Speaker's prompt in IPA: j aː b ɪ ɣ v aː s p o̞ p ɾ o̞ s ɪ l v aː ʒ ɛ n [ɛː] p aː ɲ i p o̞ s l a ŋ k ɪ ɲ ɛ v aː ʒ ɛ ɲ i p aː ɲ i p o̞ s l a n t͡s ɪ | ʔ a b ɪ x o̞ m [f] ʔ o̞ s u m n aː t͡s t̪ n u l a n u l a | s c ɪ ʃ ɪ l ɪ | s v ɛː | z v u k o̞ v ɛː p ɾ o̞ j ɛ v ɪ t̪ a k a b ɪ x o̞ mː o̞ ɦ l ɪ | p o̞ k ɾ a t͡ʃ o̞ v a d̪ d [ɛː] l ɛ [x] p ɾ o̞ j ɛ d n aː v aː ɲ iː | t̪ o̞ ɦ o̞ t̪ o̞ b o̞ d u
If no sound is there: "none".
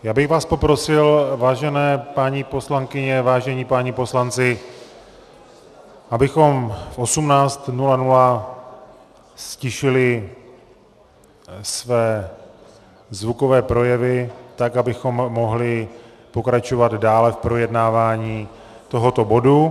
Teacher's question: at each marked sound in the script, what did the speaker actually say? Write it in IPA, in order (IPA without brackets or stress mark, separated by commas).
ɛː, f, aː, f